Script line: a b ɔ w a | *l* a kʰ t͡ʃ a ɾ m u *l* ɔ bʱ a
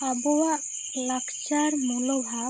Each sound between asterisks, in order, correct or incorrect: correct, correct

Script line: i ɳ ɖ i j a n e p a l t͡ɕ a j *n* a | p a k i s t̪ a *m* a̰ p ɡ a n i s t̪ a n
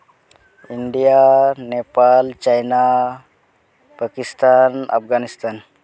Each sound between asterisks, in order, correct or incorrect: correct, incorrect: n

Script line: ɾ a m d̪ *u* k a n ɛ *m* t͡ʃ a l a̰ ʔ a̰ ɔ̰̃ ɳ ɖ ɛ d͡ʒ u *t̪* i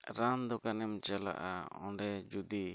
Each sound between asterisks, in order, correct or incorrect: incorrect: ɔ, correct, incorrect: d̪

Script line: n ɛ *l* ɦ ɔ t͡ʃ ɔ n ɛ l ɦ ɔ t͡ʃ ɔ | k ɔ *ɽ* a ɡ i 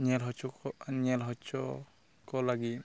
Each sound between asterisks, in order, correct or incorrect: correct, incorrect: l

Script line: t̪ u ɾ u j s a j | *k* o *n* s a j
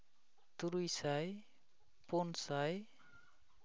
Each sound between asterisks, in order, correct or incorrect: incorrect: p, correct

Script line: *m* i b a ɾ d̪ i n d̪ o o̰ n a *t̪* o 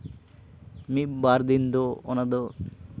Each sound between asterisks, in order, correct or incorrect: correct, incorrect: d̪

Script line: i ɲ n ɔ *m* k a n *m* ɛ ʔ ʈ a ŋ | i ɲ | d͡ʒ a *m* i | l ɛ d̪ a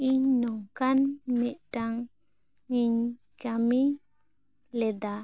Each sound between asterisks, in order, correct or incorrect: incorrect: ŋ, correct, correct

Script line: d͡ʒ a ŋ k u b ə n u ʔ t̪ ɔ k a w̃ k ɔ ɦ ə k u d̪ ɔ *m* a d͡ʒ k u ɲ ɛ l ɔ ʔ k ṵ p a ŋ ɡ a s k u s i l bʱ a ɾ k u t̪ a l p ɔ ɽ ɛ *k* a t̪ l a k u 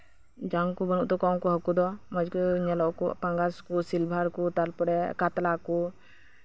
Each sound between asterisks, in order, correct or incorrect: correct, correct

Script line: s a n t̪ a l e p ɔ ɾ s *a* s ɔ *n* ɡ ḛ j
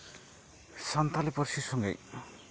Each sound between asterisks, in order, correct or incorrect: incorrect: i, incorrect: ŋ

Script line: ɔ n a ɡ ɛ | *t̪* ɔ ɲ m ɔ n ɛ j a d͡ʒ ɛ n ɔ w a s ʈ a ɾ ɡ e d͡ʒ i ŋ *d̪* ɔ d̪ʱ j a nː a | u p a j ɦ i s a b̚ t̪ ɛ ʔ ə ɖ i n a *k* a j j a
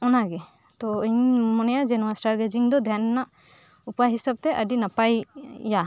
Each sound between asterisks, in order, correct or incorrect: correct, correct, incorrect: p

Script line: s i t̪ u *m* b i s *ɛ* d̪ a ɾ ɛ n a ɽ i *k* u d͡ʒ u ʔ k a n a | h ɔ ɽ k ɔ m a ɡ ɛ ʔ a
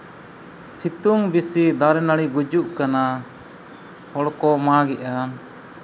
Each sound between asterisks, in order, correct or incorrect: incorrect: ŋ, incorrect: i, incorrect: ɡ

